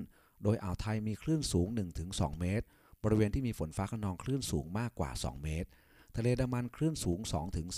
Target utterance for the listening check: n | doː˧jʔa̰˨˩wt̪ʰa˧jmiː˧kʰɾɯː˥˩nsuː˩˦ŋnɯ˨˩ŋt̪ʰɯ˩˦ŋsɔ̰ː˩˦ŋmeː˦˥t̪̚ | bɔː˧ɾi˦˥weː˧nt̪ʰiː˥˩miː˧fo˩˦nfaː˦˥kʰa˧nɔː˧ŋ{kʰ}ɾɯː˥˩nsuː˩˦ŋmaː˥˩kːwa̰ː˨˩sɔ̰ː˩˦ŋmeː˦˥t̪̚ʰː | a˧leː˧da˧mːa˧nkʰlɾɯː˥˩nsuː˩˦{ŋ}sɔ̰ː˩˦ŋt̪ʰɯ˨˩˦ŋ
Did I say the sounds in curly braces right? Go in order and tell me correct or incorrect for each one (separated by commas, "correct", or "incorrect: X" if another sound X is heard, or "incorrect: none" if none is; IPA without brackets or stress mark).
correct, correct